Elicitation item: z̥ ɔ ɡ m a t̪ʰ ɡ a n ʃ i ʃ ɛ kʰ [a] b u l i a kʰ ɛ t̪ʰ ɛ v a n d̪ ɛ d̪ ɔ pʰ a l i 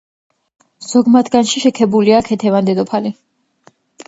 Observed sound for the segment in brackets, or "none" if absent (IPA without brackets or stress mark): ɛ